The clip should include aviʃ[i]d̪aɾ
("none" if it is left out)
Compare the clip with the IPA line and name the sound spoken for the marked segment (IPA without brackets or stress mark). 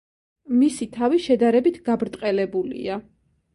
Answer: ɛ